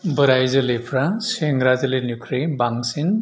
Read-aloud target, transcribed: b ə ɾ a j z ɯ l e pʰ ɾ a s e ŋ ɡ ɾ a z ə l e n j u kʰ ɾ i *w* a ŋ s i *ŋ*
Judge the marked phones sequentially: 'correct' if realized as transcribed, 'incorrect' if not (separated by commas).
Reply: incorrect, incorrect